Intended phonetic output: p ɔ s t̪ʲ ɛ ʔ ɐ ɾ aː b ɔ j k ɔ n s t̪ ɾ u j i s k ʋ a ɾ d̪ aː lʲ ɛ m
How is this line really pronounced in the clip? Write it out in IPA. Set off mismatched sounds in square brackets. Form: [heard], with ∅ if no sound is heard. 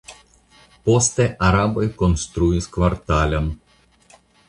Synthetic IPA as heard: p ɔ s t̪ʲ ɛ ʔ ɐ ɾ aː b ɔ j k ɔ n s t̪ ɾ u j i s k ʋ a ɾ [t̪] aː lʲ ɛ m